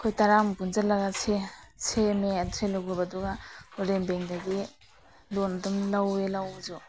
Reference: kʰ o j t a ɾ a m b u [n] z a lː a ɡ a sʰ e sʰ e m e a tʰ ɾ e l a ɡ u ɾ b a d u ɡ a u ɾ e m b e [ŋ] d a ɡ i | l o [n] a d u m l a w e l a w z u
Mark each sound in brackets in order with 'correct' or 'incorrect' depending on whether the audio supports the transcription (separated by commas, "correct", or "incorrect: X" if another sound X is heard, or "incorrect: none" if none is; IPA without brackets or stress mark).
correct, correct, correct